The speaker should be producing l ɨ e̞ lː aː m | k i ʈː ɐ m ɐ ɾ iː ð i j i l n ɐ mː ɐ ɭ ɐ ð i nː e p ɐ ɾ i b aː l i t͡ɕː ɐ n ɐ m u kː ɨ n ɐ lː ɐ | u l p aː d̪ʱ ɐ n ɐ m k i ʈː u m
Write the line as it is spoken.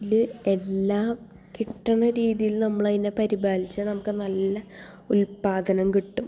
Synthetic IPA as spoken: l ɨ e̞ lː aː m | k i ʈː ɐ ɳ ɐ ɾ iː ð i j i l n ɐ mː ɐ ɭ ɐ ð i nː e p ɐ ɾ i b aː l i t͡ɕː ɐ n ɐ m u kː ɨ n ɐ lː ɐ | u l p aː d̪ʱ ɐ n ɐ m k i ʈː u m

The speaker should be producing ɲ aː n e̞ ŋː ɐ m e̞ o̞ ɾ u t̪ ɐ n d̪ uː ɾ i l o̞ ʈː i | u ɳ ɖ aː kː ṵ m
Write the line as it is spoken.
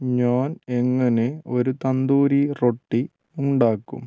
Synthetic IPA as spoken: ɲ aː n e̞ ŋː ɐ n e̞ o̞ ɾ u t̪ ɐ n d̪ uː ɾ i r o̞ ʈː i | u ɳ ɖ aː kː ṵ m

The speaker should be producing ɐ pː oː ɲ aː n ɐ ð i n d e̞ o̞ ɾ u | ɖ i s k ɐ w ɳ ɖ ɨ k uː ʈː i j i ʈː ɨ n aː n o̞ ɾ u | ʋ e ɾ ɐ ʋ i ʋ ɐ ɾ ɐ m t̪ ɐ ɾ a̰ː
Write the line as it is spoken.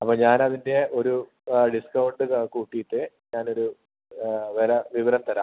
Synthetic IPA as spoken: ɐ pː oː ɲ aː n ɐ ð i n d e̞ o̞ ɾ u | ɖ i s k ɐ w ɳ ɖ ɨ k uː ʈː i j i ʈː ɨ ɲ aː n o̞ ɾ u | ʋ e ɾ ɐ ʋ i ʋ ɐ ɾ ɐ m t̪ ɐ ɾ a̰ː

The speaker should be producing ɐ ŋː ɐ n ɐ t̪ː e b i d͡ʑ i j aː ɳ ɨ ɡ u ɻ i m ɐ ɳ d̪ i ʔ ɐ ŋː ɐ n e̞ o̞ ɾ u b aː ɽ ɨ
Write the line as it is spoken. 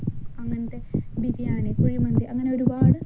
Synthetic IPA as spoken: ɐ ŋː ɐ n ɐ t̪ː e b i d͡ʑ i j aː ɳ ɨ k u ɻ i m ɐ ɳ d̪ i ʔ ɐ ŋː ɐ n e̞ o̞ ɾ u b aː ɽ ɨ

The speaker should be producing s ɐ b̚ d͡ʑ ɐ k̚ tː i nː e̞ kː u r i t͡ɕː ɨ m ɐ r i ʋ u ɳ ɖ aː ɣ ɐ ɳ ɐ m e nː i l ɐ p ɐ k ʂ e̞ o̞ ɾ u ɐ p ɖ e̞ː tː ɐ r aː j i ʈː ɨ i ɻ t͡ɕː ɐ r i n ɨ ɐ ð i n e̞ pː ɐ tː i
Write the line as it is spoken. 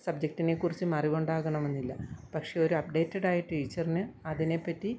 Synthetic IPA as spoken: s ɐ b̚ d͡ʑ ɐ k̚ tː i n e̞ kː u r i t͡ɕː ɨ m ɐ r i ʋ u ɳ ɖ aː ɣ ɐ ɳ ɐ m e nː i lː ɐ p ɐ k ʂ e̞ o̞ ɾ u ɐ p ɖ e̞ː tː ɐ ɽ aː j i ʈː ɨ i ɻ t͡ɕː ɐ r i n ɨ ɐ ð i n e̞ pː ɐ tː i

